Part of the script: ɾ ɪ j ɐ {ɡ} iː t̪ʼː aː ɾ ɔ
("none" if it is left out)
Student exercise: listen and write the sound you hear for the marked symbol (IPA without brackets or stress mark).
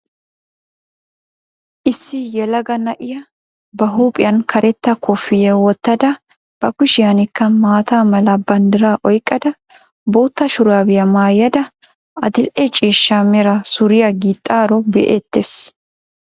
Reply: ɡ